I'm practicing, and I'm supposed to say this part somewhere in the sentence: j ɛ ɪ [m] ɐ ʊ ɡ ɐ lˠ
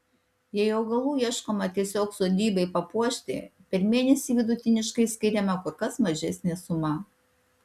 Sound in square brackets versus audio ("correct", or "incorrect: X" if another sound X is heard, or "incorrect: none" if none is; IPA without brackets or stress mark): incorrect: none